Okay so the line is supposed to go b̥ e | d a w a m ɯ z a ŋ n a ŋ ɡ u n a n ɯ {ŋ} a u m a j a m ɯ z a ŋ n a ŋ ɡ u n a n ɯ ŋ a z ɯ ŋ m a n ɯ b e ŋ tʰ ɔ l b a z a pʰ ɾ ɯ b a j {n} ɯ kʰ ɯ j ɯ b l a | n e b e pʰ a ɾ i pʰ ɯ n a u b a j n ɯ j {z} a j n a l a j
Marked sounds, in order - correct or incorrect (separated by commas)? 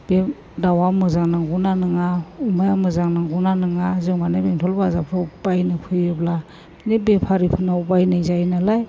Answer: correct, correct, correct